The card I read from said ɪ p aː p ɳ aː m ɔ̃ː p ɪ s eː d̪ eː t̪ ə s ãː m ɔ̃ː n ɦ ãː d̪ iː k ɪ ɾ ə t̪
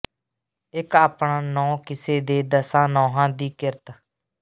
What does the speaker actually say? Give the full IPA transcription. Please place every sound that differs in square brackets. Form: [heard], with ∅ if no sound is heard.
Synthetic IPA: ɪ [k] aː p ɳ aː [n] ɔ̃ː [k] ɪ s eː d̪ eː [d̪] ə s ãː [n] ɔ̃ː [∅] ɦ ãː d̪ iː k ɪ ɾ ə t̪